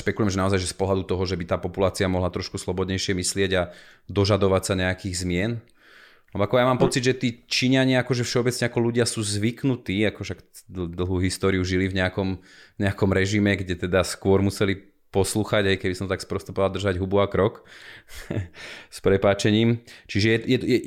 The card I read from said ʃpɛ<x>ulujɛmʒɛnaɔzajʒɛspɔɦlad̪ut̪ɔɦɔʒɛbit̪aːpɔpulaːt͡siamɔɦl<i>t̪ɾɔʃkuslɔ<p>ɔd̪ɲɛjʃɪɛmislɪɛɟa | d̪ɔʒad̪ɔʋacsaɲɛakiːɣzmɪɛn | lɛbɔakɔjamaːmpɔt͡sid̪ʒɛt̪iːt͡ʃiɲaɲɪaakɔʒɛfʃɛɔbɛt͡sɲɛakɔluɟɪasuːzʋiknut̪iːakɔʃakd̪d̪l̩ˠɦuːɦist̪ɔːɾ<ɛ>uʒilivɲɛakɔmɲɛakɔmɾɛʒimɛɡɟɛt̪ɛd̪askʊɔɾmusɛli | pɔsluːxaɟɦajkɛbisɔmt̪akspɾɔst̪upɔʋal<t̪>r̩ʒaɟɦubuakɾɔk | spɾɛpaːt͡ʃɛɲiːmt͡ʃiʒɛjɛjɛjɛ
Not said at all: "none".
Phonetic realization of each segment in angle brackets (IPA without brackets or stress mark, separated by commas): k, a, b, i, d̪